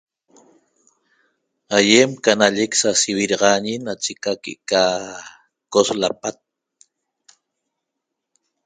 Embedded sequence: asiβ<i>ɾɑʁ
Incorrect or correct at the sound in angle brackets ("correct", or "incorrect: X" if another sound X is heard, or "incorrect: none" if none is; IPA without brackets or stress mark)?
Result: correct